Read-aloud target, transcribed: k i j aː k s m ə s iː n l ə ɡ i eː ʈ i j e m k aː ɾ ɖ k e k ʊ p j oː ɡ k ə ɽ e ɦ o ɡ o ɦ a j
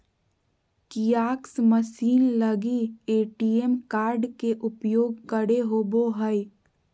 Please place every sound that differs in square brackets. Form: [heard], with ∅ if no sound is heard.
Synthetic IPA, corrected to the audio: k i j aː k s m ə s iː n l ə ɡ i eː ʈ i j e m k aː ɾ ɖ k e [ʔ] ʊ p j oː ɡ k ə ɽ e ɦ o [b] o ɦ [ə] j